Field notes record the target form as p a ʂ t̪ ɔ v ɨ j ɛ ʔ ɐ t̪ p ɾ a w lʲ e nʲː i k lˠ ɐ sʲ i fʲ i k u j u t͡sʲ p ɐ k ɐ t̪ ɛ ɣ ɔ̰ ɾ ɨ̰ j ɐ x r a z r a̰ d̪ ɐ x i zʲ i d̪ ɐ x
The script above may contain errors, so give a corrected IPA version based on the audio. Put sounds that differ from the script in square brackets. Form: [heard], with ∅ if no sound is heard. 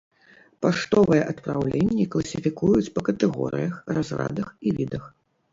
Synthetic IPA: p a ʂ t̪ ɔ v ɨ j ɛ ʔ ɐ t̪ p ɾ a w lʲ e nʲː i k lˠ ɐ sʲ i fʲ i k u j u t͡sʲ p ɐ k ɐ t̪ ɛ ɣ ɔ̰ ɾ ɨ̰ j ɐ x r a z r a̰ d̪ ɐ x i [vʲ] i d̪ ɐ x